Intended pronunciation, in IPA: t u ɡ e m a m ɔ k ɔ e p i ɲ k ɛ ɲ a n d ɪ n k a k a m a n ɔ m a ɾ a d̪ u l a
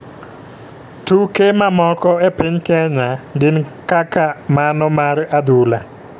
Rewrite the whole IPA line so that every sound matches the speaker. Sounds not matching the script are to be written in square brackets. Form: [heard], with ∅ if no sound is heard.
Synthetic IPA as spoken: t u [k] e m a m ɔ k ɔ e p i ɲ k ɛ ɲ a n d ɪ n k a k a m a n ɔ m a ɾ a d̪ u l a